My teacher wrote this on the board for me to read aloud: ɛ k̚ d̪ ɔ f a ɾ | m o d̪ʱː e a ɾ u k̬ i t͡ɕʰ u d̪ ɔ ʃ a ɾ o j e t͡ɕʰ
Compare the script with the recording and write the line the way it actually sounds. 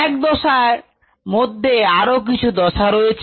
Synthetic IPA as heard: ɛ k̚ d̪ ɔ ʃ a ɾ | m o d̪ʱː e a ɾ o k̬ i t͡ɕʰ u d̪ ɔ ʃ a ɾ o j e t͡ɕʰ